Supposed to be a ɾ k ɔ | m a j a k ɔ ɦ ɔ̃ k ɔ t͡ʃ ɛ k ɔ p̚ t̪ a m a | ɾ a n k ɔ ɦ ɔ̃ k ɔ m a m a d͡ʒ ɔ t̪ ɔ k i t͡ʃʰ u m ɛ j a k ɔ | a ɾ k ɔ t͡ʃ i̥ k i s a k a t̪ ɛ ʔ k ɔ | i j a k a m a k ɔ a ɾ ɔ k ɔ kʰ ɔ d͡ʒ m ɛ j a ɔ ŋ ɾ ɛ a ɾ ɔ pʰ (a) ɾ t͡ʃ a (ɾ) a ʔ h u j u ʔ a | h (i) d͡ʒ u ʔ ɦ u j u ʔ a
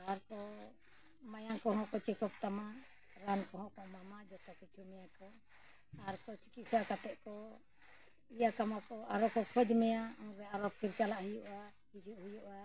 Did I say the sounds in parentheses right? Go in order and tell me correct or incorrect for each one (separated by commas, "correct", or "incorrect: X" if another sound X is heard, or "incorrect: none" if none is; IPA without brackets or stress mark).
incorrect: i, incorrect: l, correct